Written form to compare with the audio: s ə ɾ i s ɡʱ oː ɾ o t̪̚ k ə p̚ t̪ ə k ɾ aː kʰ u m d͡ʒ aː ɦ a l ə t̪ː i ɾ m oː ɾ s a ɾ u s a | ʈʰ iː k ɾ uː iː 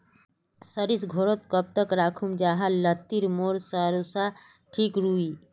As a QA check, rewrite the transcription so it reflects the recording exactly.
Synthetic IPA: s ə ɾ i s ɡʱ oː ɾ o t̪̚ k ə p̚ t̪ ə k ɾ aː kʰ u m d͡ʒ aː ɦ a l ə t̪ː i ɾ m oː ɾ s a ɾ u s a | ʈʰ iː k ɾ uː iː